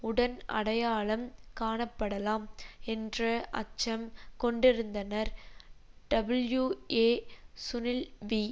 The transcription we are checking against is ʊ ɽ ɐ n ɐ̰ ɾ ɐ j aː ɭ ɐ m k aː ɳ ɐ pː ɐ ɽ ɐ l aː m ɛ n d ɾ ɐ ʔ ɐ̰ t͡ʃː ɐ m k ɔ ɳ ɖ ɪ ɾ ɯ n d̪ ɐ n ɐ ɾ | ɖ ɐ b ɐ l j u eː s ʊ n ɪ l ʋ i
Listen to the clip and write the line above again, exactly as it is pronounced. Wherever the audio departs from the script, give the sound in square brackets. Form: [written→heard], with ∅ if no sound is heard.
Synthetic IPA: ʊ ɽ ɐ n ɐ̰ [ɾ→ɽ] ɐ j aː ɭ ɐ m k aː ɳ ɐ pː ɐ ɽ ɐ l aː m ɛ n d [ɾ→r] ɐ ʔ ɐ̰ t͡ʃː ɐ m k ɔ ɳ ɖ ɪ ɾ ɯ n d̪ ɐ n ɐ ɾ | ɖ ɐ b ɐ l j u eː s ʊ n ɪ l ʋ i